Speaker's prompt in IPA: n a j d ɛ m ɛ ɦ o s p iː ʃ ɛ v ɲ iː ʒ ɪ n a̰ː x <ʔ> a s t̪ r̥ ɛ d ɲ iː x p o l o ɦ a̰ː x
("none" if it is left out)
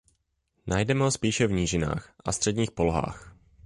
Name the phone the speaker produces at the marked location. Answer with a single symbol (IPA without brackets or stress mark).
ʔ